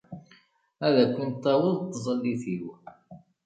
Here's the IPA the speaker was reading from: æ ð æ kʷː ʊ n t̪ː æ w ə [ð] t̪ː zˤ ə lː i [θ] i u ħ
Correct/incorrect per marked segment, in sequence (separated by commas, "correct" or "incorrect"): correct, correct